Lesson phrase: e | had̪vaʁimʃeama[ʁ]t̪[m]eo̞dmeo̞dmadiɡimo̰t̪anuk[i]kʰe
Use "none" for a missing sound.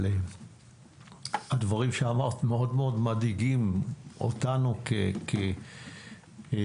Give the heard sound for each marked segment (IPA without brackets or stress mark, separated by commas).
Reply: ʁ, m, e